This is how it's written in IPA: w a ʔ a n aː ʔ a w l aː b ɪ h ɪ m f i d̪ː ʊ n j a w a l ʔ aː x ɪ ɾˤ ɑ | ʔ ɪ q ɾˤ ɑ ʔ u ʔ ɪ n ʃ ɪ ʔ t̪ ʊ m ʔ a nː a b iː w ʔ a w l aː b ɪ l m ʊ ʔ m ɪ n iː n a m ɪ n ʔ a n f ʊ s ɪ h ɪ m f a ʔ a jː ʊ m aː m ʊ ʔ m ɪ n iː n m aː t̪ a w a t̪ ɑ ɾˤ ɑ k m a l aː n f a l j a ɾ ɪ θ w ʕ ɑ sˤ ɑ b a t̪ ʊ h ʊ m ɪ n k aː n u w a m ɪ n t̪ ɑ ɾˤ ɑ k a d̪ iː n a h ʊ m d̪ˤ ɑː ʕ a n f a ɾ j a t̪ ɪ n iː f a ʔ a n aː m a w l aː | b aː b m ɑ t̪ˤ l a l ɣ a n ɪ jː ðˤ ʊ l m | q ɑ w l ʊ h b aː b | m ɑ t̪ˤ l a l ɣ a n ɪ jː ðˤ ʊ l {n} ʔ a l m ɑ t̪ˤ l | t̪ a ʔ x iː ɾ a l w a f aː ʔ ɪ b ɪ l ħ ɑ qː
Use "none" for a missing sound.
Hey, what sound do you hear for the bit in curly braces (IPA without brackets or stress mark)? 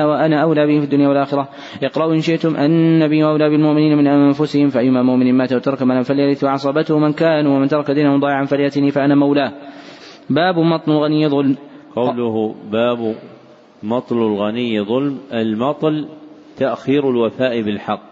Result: m